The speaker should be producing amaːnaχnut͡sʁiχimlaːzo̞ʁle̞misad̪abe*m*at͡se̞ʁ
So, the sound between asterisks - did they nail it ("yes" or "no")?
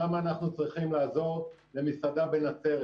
no